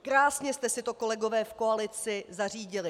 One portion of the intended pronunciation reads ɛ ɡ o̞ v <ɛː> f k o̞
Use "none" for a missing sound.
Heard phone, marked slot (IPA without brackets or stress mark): ɛː